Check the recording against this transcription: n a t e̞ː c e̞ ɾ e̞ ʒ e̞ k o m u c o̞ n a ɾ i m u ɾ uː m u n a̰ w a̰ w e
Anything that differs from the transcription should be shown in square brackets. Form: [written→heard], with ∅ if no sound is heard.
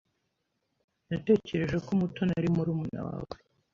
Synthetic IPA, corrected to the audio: n a t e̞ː c e̞ ɾ e̞ ʒ e̞ k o m u [c→t] o̞ n a ɾ i m u ɾ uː m u n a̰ w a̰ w e